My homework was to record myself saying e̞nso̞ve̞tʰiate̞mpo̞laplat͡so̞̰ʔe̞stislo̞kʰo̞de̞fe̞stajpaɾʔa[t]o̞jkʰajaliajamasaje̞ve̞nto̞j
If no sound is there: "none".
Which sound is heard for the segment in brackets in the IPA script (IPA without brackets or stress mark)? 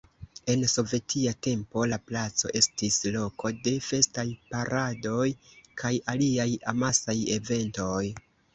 d